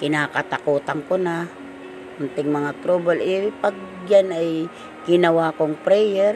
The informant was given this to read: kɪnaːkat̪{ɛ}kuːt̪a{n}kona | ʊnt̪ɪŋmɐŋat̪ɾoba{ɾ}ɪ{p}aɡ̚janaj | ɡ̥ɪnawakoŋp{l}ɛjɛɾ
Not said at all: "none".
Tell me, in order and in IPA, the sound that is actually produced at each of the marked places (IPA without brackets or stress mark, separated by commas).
a, ŋ, l, p, ɾ